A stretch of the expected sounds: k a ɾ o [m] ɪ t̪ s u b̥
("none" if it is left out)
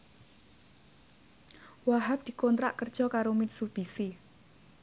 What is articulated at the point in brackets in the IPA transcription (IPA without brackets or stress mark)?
m